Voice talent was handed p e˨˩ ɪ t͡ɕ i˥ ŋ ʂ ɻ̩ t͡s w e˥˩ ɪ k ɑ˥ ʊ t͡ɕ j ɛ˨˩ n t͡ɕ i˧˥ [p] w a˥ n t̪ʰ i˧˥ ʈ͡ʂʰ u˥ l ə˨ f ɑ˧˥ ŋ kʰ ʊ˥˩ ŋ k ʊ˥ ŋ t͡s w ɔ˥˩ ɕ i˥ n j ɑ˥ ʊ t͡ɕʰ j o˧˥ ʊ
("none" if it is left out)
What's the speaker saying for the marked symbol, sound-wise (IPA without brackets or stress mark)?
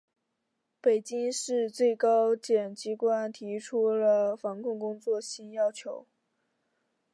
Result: k